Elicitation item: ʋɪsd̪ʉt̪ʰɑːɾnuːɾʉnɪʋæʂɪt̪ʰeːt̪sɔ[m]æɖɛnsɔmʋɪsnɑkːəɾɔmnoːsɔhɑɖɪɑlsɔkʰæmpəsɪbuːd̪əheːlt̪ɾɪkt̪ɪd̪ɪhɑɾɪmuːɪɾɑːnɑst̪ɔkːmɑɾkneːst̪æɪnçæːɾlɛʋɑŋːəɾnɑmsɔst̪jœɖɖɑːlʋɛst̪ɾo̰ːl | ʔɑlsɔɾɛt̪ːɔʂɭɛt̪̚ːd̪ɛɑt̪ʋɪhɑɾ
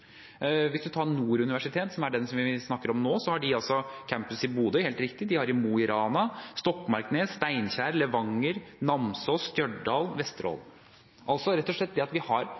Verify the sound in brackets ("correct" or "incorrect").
correct